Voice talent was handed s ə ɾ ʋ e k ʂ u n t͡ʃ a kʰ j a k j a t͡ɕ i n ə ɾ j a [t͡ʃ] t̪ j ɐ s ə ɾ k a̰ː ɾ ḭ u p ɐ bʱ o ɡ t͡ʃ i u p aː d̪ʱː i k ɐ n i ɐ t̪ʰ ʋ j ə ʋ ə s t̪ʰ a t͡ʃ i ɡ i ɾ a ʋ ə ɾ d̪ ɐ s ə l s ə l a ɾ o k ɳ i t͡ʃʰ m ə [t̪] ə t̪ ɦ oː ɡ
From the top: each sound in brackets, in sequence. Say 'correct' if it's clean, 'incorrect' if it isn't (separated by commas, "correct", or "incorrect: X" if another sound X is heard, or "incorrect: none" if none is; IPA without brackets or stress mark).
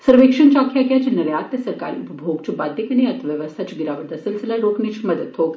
incorrect: none, incorrect: d̪